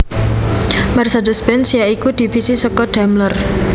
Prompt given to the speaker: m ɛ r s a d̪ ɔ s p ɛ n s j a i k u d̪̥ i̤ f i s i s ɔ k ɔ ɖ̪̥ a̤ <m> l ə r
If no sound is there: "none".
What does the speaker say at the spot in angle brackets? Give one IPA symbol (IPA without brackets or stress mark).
m